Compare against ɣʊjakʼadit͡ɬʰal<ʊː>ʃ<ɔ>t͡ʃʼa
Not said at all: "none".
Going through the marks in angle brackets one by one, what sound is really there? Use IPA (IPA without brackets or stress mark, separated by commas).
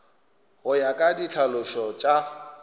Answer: ʊ, ɔ